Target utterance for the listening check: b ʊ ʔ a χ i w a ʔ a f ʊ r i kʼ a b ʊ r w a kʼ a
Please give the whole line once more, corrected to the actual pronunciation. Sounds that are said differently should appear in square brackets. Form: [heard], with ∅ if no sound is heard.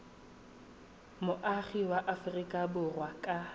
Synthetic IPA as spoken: [m] ʊ ʔ a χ i w a ʔ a f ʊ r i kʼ a b ʊ r w a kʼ a